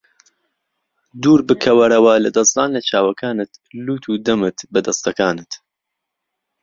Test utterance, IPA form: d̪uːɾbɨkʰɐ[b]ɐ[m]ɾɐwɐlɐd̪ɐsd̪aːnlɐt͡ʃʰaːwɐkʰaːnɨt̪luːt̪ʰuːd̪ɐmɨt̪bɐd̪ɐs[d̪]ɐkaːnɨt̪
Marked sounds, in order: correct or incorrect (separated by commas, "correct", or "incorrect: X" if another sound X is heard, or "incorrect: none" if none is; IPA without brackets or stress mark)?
incorrect: w, incorrect: none, incorrect: t̪